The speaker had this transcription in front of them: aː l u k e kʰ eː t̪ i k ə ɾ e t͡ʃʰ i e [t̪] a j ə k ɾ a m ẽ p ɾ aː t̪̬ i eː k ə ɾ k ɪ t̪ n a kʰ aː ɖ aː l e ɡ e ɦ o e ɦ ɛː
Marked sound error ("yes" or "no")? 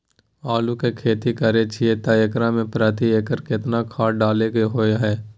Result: no